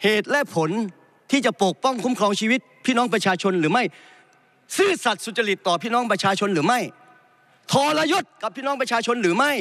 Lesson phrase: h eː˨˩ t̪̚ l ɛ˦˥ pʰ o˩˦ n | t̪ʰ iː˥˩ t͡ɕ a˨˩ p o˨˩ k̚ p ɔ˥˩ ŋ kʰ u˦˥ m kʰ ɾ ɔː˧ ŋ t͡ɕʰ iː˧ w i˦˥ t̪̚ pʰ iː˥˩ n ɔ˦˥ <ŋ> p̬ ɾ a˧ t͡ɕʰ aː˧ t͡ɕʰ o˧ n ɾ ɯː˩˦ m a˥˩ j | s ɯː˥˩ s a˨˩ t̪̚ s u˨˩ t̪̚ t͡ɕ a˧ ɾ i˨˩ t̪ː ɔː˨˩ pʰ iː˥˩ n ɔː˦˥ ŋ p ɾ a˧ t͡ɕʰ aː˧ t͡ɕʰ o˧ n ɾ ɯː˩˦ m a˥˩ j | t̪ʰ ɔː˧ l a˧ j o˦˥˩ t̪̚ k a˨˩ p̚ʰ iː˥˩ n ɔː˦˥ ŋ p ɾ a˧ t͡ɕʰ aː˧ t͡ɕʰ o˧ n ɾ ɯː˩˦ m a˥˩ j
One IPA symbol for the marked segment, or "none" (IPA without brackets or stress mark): ŋ